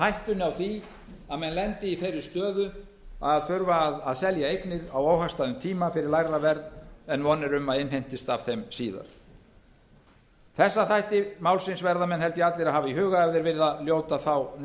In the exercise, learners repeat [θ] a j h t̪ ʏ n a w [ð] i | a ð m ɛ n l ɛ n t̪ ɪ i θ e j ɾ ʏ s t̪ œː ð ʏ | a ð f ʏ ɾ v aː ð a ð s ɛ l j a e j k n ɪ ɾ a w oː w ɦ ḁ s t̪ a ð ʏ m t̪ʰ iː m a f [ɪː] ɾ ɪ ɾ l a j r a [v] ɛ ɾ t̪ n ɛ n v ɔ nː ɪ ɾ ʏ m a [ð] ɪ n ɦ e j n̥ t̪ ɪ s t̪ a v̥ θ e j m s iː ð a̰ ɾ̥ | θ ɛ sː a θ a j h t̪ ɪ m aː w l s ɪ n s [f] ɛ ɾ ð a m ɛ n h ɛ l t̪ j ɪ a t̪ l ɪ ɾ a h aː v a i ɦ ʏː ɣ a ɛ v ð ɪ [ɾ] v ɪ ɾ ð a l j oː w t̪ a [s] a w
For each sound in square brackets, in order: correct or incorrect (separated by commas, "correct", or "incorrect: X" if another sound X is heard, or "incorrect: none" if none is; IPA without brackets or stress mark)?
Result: incorrect: h, incorrect: θ, incorrect: ɪ, correct, correct, incorrect: v, correct, incorrect: θ